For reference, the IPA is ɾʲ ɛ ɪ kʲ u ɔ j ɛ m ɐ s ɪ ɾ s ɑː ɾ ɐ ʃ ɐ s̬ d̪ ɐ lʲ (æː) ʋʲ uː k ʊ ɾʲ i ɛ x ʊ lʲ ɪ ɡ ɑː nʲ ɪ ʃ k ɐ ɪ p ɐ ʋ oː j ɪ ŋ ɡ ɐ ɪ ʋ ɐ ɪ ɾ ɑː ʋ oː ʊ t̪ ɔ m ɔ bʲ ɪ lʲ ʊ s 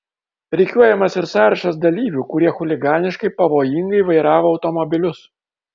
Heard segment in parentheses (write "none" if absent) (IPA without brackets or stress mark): iː